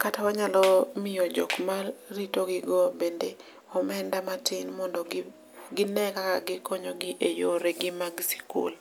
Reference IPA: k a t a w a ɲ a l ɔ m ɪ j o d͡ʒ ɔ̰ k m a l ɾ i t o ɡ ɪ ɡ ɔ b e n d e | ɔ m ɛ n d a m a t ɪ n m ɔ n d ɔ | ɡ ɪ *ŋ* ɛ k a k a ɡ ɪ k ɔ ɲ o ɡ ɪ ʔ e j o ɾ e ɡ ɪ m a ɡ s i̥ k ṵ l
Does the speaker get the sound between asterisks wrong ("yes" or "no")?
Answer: yes